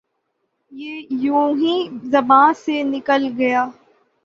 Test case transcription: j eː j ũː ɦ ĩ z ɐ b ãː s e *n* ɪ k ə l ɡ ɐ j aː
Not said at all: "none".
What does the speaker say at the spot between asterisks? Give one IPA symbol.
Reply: n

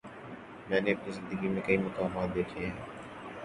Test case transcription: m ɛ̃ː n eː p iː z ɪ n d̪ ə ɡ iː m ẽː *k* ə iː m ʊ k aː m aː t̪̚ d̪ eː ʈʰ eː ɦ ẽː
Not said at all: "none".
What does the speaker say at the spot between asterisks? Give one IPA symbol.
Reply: k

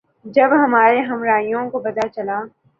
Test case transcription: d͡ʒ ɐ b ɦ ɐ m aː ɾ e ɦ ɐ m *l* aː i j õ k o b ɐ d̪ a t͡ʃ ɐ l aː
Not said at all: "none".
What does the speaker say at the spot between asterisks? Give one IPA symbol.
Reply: ɾ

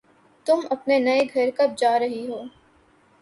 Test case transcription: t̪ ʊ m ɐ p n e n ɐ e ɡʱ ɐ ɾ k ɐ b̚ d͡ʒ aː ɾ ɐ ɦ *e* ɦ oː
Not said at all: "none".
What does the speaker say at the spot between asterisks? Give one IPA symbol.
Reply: i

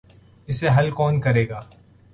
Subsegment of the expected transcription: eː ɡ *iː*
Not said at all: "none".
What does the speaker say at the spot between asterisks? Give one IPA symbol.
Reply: aː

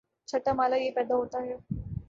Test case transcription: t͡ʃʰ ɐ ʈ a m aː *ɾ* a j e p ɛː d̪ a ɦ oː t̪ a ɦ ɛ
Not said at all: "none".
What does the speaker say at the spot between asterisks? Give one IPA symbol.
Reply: l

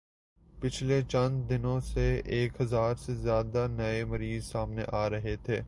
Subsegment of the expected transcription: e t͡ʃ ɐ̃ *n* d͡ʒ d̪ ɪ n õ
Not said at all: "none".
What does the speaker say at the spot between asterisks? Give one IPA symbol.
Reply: n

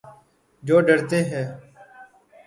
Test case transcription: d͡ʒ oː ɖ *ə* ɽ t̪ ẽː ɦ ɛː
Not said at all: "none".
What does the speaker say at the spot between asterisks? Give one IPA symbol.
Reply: ə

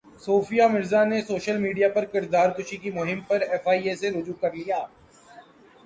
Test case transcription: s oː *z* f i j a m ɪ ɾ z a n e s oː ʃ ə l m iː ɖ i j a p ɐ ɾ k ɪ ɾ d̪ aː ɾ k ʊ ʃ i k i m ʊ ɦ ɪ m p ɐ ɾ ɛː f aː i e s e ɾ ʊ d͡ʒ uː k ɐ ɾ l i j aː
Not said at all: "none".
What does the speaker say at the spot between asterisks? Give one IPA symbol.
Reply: none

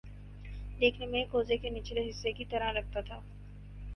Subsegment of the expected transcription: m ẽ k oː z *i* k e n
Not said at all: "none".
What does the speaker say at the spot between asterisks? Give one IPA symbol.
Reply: e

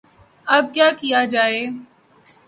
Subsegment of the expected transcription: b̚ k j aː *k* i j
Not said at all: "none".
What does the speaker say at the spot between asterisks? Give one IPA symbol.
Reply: k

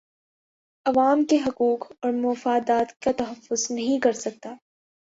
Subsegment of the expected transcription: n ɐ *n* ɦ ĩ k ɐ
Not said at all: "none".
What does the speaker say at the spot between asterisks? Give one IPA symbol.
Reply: none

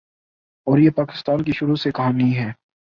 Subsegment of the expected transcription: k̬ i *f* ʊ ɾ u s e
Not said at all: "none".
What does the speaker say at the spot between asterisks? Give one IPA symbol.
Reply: ʃ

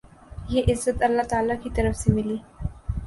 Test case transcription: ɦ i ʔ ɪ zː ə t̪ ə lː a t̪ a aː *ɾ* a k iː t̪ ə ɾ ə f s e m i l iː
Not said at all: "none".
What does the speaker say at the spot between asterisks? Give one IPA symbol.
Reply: l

